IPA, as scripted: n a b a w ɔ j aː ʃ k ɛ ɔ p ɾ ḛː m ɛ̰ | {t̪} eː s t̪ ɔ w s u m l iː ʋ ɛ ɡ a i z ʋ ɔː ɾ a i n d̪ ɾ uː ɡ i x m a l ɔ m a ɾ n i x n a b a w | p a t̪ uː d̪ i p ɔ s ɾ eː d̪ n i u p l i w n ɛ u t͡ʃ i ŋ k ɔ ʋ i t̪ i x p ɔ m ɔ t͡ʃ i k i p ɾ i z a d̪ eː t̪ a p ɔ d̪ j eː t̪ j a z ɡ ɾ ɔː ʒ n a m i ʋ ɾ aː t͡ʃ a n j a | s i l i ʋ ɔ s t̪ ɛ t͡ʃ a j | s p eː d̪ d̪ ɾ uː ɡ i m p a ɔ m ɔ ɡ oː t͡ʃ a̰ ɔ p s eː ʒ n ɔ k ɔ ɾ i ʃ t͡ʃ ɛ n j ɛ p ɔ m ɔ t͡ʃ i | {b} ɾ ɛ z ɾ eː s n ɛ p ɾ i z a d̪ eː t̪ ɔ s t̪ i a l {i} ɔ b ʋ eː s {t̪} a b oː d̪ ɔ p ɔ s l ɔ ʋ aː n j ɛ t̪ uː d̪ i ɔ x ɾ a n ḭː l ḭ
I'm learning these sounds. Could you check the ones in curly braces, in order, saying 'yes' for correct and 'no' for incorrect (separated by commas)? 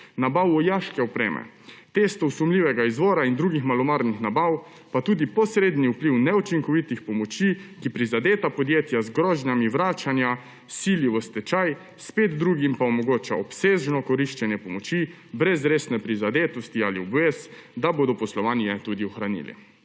yes, yes, yes, no